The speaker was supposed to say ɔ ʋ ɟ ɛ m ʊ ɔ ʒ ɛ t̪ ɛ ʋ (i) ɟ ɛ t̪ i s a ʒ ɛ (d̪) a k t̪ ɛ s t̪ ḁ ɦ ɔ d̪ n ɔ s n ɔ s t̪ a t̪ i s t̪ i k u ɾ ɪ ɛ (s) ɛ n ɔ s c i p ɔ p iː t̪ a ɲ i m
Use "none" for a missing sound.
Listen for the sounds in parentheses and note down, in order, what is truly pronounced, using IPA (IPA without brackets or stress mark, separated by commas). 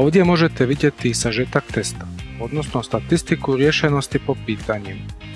i, t̪, ʃ